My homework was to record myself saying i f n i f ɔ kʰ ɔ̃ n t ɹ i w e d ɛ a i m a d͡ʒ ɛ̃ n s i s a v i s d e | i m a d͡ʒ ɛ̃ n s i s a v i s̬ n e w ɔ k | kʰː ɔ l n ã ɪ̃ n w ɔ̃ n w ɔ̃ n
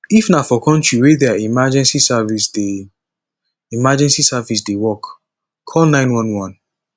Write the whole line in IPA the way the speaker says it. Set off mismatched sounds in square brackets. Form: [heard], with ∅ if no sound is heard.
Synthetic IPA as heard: i f n [a] f ɔ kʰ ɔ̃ n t ɹ i w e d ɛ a i m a d͡ʒ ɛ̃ n s i s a v i s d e | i m a d͡ʒ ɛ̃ n s i s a v i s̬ [d] e w ɔ k | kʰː ɔ l n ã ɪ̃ n w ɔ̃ n w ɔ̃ n